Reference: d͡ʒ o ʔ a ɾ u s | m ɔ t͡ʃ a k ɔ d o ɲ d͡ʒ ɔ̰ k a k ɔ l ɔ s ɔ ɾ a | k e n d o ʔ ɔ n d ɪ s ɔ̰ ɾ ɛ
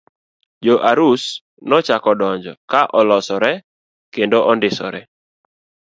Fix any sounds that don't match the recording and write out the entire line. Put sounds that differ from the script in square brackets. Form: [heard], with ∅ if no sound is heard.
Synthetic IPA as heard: d͡ʒ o ʔ a ɾ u s | [n] ɔ t͡ʃ a k ɔ d [ɔ] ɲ d͡ʒ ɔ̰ k a [ʔ] ɔ l ɔ s ɔ ɾ [ɛ] | k e n d o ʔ ɔ n d ɪ s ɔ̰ ɾ ɛ

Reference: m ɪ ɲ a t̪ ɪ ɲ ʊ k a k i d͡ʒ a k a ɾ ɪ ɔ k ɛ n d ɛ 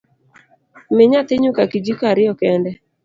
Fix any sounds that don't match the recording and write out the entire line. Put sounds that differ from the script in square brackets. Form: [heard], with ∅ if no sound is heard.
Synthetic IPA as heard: m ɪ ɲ a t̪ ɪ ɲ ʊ k a k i d͡ʒ [i] k a ɾ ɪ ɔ k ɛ n d ɛ

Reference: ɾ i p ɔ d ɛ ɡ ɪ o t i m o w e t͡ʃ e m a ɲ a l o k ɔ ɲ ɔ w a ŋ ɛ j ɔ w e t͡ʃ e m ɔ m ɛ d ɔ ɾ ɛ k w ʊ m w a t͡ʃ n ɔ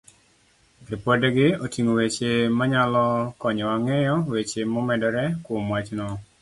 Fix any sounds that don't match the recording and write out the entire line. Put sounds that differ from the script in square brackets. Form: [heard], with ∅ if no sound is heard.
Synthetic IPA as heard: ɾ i p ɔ d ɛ ɡ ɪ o t i [ŋ] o w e t͡ʃ e m a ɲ a l [ɔ] k ɔ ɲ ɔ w a ŋ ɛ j ɔ w e t͡ʃ e m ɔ m ɛ d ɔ ɾ ɛ k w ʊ m w a t͡ʃ n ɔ

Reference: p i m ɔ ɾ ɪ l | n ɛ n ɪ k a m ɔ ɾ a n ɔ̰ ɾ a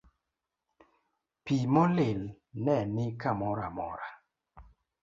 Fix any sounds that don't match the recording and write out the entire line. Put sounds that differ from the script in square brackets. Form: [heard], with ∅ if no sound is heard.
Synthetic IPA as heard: p i m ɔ [l] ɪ l | n ɛ n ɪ k a m ɔ ɾ a [m] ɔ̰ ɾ a

